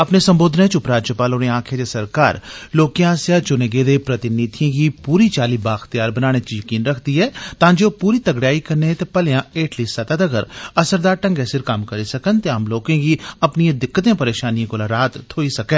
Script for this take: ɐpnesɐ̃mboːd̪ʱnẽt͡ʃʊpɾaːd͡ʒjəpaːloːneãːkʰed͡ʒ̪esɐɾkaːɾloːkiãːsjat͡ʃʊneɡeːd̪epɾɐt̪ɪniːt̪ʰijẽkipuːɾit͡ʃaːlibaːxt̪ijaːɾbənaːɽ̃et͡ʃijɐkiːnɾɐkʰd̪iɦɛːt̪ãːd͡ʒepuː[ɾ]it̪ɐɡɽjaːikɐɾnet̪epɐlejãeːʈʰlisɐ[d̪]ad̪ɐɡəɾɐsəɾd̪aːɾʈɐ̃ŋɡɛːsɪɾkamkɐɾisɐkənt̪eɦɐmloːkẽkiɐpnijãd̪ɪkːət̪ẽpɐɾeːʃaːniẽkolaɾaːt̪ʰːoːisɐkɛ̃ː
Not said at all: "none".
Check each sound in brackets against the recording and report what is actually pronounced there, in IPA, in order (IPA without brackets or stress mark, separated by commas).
ɾ, t̪